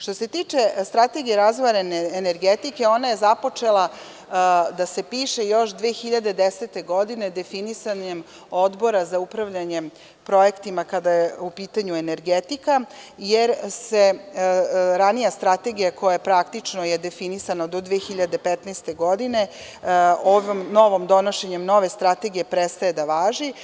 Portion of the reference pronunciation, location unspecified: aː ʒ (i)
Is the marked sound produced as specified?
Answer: yes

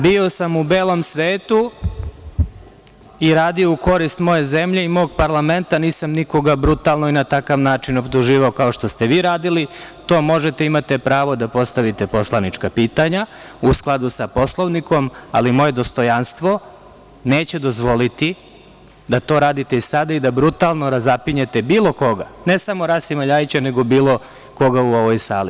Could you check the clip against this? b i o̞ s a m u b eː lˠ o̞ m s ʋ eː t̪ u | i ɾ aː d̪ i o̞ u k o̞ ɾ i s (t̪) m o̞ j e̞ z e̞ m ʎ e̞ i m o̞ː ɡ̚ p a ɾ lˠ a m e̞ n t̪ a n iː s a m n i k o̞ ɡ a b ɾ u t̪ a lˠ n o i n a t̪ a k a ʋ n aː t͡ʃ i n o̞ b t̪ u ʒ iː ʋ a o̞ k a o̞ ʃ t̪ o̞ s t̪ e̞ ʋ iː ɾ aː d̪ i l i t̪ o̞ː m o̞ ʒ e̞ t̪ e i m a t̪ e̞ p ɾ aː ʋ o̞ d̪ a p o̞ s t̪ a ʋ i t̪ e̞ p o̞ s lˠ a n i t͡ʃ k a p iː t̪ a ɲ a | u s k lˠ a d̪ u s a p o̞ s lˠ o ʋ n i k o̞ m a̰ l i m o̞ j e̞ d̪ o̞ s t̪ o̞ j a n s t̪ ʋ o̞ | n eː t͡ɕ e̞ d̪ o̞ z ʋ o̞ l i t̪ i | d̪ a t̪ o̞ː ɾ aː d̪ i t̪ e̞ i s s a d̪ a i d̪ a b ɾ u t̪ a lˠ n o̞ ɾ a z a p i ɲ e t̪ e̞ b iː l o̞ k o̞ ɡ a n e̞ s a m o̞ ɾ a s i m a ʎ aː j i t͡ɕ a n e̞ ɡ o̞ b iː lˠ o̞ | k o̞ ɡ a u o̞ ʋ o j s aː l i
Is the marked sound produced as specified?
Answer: yes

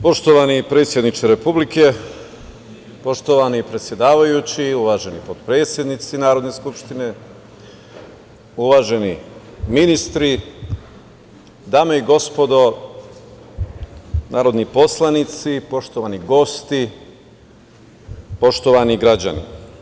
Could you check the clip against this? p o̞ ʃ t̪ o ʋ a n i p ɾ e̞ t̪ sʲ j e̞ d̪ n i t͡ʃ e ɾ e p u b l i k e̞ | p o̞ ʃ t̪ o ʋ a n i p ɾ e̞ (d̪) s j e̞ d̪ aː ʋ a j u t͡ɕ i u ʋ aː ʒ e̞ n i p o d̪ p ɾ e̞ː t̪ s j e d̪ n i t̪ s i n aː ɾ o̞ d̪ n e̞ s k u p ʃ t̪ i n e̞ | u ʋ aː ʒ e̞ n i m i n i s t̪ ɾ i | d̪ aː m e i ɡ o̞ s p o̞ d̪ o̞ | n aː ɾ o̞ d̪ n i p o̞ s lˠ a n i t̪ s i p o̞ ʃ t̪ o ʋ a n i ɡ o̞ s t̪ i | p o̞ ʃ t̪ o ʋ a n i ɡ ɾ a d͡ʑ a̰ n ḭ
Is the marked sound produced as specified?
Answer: no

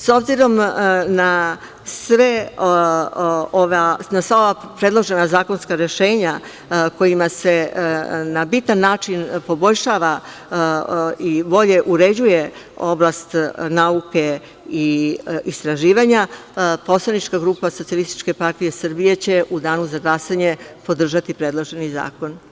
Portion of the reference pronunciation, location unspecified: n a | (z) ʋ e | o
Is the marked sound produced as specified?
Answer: no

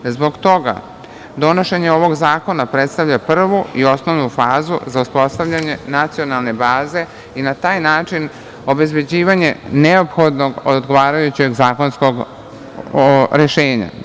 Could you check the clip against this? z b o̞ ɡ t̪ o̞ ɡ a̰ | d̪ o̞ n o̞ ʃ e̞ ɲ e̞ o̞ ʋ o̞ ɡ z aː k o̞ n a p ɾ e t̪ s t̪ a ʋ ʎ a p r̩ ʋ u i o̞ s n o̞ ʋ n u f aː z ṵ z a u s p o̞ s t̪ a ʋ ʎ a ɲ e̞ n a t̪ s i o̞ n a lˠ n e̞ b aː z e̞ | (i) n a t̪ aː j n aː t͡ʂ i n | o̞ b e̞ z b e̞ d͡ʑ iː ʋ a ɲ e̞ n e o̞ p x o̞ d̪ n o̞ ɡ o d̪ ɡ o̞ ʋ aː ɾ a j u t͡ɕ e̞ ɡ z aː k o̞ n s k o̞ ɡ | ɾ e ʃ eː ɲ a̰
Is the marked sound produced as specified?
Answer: yes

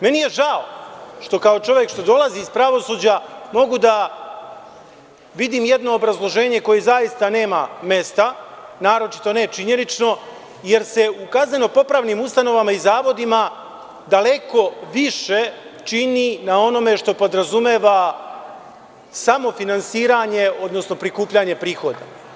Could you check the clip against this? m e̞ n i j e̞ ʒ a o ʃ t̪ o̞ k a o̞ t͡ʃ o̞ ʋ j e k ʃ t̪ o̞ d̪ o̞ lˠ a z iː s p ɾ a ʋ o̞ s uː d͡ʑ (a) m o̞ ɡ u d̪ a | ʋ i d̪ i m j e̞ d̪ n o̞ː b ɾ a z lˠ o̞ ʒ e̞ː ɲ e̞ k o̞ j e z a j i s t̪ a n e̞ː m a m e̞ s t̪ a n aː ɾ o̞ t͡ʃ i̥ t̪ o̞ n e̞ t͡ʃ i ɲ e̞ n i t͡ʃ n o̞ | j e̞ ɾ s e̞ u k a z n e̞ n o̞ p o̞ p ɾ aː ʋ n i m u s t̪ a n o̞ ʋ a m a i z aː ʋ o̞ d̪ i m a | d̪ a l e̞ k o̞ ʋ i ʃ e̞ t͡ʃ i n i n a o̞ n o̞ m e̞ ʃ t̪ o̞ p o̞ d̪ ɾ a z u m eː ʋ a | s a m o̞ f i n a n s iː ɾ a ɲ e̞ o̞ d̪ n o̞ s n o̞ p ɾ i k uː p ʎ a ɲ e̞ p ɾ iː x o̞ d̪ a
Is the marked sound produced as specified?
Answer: yes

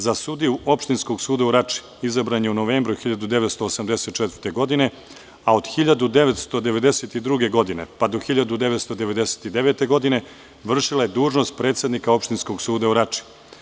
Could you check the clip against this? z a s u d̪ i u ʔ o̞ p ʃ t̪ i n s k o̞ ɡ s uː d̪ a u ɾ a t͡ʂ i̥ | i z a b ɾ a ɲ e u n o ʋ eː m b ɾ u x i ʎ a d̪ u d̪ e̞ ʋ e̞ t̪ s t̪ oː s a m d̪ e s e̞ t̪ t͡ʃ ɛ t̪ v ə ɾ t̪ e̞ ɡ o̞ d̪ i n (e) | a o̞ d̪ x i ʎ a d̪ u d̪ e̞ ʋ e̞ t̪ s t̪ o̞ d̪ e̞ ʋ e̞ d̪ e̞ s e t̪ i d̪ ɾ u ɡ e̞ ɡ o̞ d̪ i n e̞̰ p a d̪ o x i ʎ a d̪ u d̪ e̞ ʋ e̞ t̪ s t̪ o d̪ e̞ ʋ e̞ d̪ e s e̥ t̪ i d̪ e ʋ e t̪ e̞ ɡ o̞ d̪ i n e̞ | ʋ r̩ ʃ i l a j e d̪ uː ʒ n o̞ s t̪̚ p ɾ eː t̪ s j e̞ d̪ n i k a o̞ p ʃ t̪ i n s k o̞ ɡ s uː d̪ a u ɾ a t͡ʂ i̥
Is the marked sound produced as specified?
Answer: yes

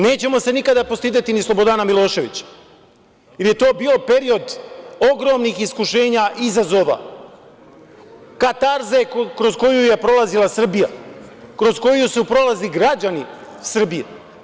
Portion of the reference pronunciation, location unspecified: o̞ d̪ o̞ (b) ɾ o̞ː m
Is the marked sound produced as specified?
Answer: no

